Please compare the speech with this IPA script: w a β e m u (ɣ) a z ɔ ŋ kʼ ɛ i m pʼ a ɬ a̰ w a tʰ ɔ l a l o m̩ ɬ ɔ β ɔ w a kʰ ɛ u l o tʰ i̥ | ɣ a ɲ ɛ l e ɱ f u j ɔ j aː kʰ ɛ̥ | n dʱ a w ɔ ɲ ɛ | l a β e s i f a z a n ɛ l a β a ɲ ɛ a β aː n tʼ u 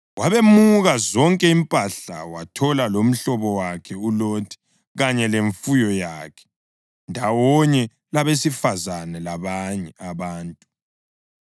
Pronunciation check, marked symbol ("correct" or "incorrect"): correct